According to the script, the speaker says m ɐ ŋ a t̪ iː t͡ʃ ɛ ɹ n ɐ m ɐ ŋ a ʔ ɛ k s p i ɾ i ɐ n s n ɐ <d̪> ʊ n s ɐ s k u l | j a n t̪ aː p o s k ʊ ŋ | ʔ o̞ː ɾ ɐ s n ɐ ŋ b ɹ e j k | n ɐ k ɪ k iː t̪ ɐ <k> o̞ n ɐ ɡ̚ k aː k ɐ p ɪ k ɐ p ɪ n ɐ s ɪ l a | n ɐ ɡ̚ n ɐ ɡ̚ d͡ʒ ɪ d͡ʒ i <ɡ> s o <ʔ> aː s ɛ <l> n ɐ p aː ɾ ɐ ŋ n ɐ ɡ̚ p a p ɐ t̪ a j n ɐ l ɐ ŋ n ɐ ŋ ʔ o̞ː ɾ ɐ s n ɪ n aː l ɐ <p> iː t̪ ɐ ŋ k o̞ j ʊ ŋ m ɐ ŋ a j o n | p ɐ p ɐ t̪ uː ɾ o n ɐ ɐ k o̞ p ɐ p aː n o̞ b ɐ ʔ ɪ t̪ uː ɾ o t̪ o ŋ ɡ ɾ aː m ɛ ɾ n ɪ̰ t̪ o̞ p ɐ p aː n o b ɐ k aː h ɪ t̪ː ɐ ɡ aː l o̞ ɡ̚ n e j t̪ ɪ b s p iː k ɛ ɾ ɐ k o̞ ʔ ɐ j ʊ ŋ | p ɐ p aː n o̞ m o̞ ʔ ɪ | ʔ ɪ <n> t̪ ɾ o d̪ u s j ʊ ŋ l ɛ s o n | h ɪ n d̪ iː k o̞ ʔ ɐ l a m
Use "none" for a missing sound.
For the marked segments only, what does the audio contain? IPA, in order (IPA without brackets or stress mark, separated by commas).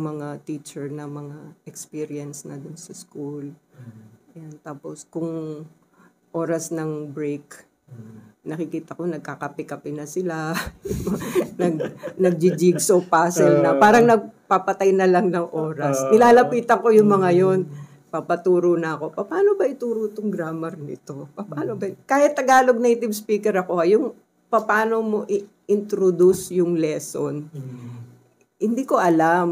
d̪, k, ɡ, p, l, p, n